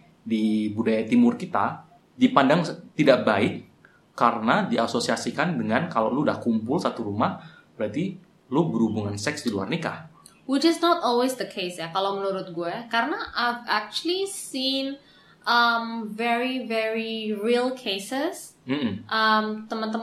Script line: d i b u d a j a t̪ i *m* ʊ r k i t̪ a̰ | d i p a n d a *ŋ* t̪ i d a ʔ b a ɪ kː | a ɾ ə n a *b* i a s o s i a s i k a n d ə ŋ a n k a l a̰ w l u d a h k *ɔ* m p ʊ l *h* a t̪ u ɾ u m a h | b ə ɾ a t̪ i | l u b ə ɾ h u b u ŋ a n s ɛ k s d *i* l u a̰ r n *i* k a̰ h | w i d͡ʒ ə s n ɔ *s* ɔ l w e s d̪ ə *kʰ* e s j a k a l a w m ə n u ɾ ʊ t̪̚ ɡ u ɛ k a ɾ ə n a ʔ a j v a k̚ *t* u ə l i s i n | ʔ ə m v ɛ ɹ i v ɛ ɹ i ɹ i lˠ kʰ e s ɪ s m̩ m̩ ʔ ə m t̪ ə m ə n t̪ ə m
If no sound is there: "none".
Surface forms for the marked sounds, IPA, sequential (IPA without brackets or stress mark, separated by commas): m, ŋ, d, u, s, i, i, t, kʰ, t͡ʃ